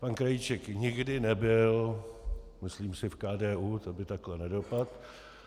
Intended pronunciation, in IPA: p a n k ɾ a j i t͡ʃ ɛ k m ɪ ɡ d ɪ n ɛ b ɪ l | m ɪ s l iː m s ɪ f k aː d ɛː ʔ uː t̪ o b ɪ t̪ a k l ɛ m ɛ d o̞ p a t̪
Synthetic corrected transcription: p a n k ɾ a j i t͡ʃ ɛ k ɲ ɪ ɡ d ɪ n ɛ b ɪ l | m ɪ s l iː m s ɪ f k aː d ɛː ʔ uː t̪ o b ɪ t̪ a k l ɛ n ɛ d o̞ p a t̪